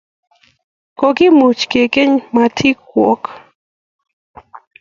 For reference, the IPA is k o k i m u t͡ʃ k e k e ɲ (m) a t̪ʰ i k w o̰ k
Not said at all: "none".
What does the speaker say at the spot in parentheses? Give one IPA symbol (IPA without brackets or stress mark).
m